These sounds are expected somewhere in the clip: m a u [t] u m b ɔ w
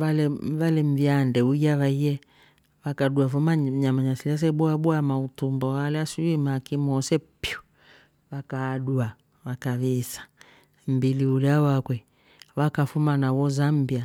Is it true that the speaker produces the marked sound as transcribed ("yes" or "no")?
yes